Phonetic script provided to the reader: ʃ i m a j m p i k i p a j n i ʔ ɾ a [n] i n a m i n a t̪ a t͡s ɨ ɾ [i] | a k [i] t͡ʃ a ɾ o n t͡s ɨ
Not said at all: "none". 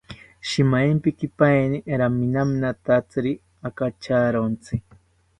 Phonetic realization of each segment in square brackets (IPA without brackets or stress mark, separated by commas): m, i, a